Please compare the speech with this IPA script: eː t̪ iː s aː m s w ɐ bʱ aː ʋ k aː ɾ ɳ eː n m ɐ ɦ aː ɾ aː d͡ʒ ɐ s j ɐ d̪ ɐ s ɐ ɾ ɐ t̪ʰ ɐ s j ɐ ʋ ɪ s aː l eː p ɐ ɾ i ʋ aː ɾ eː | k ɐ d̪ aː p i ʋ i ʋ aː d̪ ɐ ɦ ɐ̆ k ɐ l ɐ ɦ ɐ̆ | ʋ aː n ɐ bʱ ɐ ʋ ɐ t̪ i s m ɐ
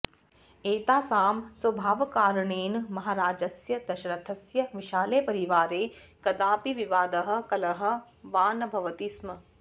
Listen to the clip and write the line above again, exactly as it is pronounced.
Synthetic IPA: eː t̪ aː s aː m s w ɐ bʱ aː ʋ k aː ɾ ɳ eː n m ɐ ɦ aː ɾ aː d͡ʒ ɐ s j ɐ d̪ ɐ ʃ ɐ ɾ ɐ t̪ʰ ɐ s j ɐ ʋ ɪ ʃ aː l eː p ɐ ɾ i ʋ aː ɾ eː | k ɐ d̪ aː p i ʋ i ʋ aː d̪ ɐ ɦ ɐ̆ k ɐ l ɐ ɦ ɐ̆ | ʋ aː n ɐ bʱ ɐ ʋ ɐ t̪ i s m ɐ

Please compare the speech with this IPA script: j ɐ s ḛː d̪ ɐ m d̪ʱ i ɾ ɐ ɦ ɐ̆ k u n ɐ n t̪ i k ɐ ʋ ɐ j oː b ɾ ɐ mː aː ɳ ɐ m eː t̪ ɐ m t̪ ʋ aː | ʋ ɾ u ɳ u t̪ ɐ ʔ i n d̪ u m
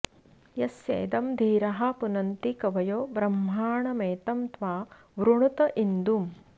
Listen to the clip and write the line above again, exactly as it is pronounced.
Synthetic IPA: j ɐ s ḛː d̪ ɐ m d̪ʱ iː ɾ ɐ ɦ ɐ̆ p u n ɐ n t̪ i k ɐ ʋ ɐ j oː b ɾ ɐ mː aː ɳ ɐ m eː t̪ ɐ m t̪ ʋ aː | ʋ ɾ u ɳ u t̪ ɐ ʔ i n d̪ u m

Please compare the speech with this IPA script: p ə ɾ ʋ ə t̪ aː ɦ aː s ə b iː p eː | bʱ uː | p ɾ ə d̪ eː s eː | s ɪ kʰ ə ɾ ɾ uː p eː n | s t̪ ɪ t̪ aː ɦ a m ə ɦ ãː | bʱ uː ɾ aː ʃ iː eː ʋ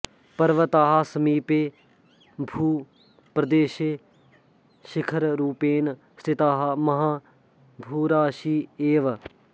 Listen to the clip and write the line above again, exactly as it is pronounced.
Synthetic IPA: p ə ɾ ʋ ə t̪ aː ɦ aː s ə m iː p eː | bʱ uː | p ɾ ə d̪ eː ʃ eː | ʃ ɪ kʰ ə ɾ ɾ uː p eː n | s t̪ ɪ t̪ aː ɦ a m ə ɦ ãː | bʱ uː ɾ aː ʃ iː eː ʋ

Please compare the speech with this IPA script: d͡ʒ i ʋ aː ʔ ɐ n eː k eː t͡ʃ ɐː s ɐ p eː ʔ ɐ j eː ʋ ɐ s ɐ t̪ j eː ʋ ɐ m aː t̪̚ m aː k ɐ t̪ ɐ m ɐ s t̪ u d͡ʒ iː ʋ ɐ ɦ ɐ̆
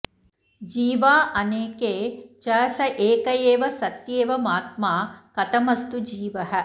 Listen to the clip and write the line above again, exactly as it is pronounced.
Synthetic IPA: d͡ʒ iː ʋ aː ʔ ɐ n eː k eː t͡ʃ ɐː s ɐ ʔ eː k ɐ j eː ʋ ɐ s ɐ t̪ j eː ʋ ɐ m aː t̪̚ m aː k ɐ t̪ ɐ m ɐ s t̪ u d͡ʒ iː ʋ ɐ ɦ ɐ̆

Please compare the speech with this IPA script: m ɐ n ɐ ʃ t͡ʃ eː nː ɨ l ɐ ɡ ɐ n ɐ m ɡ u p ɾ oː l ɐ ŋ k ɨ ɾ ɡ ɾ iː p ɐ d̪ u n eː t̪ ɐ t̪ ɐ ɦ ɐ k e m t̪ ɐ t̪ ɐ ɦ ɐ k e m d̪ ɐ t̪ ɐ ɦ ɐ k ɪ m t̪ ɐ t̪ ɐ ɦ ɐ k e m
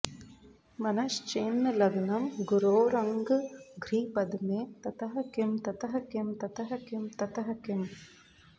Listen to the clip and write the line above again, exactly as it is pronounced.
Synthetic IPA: m ɐ n ɐ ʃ t͡ʃ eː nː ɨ l ɐ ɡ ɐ n ɐ m ɡ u ɾ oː ɾ ɐ ŋ ɡ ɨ ɡ ɾ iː p ɐ d̪ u m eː t̪ ɐ t̪ ɐ ɦ ɐ k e m t̪ ɐ t̪ ɐ ɦ ɐ k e m t̪ ɐ t̪ ɐ ɦ ɐ k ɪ m t̪ ɐ t̪ ɐ ɦ ɐ k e m

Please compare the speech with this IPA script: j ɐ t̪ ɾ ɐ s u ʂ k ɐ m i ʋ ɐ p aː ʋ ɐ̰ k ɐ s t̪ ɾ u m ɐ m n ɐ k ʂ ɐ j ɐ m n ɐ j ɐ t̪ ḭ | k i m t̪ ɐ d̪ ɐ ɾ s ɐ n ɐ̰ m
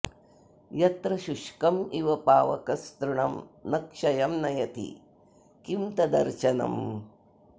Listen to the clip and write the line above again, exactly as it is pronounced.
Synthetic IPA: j ɐ t̪ ɾ ɐ ʃ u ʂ k ɐ m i ʋ ɐ p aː ʋ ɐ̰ k ɐ s t̪ ɾ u ɳ ɐ m n ɐ k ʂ ɐ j ɐ m n ɐ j ɐ t̪ ḭ | k i m t̪ ɐ d̪ ɐ ɾ ʃ ɐ n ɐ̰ m

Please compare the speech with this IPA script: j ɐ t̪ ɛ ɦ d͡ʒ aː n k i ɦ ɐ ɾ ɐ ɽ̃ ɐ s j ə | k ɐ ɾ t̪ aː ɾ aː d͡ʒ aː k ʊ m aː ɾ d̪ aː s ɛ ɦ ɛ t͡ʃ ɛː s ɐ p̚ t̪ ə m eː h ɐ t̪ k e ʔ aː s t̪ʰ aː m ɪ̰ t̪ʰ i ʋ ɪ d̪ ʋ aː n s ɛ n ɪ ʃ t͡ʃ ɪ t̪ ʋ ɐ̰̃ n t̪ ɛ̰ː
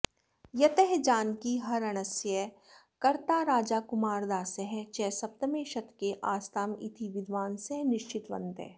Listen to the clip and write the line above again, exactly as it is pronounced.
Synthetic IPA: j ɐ t̪ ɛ ɦ d͡ʒ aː n k i ɦ ɐ ɾ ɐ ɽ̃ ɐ s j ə | k ɐ ɾ t̪ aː ɾ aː d͡ʒ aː k ʊ m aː ɾ d̪ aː s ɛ ɦ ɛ t͡ʃ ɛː s ɐ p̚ t̪ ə m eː ʃ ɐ t̪ k e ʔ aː s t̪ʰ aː m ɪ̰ t̪ʰ i ʋ ɪ d̪ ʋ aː n s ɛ n ɪ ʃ t͡ʃ ɪ t̪ ʋ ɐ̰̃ n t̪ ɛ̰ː

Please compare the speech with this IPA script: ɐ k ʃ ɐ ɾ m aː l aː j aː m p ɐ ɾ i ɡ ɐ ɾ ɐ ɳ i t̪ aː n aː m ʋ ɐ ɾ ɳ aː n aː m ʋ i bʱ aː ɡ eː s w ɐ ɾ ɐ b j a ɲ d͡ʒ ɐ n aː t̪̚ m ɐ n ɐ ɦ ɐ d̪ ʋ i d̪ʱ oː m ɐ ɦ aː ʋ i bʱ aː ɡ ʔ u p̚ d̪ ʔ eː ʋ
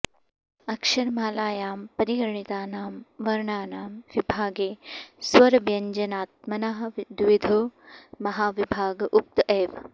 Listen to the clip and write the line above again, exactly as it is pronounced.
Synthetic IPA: ɐ k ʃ ɐ ɾ m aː l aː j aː m p ɐ ɾ i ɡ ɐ ɾ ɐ ɳ i t̪ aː n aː m ʋ ɐ ɾ ɳ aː n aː m ʋ i bʱ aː ɡ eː s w ɐ ɾ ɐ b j ɐ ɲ d͡ʒ ɐ n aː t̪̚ m ɐ n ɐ ɦ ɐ d̪ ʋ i d̪ʱ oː m ɐ ɦ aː ʋ i bʱ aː ɡ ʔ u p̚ t̪ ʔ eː ʋ

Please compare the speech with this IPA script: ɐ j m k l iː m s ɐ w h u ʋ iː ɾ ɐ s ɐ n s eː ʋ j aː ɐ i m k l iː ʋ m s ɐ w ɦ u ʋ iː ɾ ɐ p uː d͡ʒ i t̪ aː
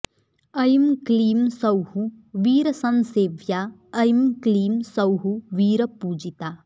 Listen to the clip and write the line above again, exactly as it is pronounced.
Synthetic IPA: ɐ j m k l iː m s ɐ w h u ʋ iː ɾ ɐ s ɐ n s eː ʋ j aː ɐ j m k l iː m s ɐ w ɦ u ʋ iː ɾ ɐ p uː d͡ʒ i t̪ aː

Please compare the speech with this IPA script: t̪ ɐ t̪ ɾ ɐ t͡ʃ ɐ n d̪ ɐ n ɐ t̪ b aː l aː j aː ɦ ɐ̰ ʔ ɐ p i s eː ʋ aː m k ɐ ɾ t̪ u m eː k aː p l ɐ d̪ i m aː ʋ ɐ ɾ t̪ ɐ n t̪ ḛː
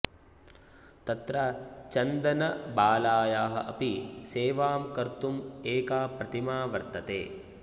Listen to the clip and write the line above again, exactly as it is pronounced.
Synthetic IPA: t̪ ɐ t̪ ɾ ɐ t͡ʃ ɐ n d̪ ɐ n ɐ b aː l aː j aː ɦ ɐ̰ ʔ ɐ p i s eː ʋ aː m k ɐ ɾ t̪ u m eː k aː p ɾ ɐ t̪ i m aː ʋ ɐ ɾ t̪ ɐ t̪ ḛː

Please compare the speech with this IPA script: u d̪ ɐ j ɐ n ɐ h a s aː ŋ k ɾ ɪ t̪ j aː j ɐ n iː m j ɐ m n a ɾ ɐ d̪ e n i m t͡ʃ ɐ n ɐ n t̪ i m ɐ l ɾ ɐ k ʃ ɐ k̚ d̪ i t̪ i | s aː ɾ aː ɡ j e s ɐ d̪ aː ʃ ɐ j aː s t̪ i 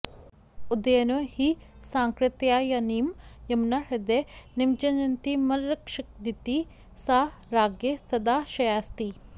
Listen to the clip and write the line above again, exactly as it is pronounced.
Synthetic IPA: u d̪ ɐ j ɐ n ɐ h i s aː ŋ k ɾ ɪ t̪ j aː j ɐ n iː m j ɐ m n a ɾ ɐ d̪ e n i m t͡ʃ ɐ n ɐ n t̪ i m ɐ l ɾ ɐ k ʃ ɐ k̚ d̪ i t̪ i | s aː ɾ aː ɡ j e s ɐ d̪ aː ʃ ɐ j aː s t̪ i

